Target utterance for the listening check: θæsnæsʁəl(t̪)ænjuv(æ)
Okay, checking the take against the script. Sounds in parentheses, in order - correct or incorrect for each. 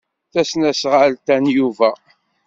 correct, correct

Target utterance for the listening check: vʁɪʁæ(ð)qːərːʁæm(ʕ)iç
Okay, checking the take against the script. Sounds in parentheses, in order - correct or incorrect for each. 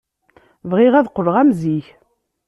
correct, incorrect

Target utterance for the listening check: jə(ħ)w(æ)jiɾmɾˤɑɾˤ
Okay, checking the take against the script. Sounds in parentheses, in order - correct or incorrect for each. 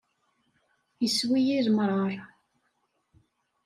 incorrect, incorrect

